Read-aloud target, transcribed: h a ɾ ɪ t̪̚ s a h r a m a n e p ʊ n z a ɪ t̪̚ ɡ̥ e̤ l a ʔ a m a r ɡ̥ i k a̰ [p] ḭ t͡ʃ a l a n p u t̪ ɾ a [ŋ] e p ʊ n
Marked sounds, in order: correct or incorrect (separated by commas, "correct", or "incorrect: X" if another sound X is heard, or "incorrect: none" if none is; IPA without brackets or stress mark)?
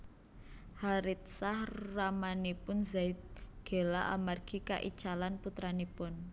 incorrect: ʔ, incorrect: n